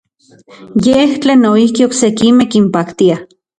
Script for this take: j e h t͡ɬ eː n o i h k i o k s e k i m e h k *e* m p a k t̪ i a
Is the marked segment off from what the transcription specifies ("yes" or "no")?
yes